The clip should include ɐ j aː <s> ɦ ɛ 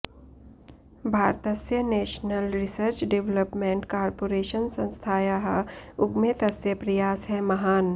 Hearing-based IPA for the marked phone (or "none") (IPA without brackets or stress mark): s